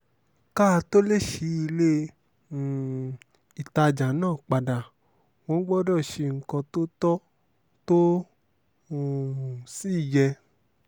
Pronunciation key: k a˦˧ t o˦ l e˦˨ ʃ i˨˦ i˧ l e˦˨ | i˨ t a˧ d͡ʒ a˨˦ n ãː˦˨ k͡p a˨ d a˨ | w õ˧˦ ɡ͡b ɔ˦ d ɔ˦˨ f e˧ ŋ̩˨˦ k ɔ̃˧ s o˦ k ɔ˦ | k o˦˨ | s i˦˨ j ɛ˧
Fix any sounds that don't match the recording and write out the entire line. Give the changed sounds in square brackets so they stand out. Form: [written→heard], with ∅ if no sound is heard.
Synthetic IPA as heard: k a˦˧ t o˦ l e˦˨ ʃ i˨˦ i˧ l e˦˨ | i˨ t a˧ d͡ʒ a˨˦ n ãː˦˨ k͡p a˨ d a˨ | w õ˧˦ ɡ͡b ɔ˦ d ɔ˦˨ [f→ʃ] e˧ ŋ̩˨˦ k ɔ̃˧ [s→t] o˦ [k→t] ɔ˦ | [k→t] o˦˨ | s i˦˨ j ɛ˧